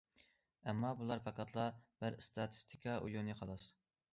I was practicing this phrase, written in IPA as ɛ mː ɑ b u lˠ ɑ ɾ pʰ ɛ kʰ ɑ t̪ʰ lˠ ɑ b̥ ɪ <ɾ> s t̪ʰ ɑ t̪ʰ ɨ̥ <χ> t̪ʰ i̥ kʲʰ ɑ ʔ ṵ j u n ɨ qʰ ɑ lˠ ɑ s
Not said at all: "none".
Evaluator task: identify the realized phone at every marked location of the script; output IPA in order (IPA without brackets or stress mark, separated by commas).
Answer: ɾ, s